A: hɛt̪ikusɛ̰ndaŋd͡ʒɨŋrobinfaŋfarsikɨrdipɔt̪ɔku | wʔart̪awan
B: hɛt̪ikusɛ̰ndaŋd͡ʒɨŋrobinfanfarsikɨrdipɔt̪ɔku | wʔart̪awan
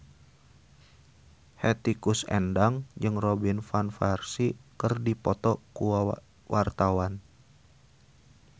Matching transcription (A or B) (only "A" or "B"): B